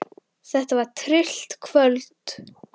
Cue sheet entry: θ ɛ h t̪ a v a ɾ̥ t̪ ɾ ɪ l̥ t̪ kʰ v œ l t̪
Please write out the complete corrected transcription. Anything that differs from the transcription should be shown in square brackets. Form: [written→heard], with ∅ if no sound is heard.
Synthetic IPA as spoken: θ ɛ h t̪ a v a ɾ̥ [t̪→t̪ʰ] ɾ ɪ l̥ t̪ kʰ v œ l t̪